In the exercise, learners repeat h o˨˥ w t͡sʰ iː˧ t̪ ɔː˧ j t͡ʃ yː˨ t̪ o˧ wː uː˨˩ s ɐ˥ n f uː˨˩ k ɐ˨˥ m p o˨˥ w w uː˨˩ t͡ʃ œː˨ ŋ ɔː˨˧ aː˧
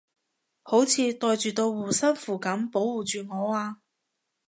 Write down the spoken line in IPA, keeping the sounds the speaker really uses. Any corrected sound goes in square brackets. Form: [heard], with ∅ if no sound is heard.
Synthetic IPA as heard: h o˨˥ w t͡sʰ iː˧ t̪ ɔː˧ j t͡ʃ yː˨ t̪ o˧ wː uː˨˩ s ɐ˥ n f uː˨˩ k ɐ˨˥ m p o˨˥ w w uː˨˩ t͡ʃ [yː˨] ŋ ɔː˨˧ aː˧